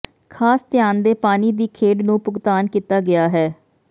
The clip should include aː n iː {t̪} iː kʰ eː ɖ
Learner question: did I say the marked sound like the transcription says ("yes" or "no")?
no